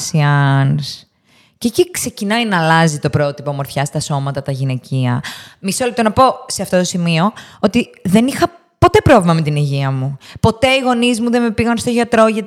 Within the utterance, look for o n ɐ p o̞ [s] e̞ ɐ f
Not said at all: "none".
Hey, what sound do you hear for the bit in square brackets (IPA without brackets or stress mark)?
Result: s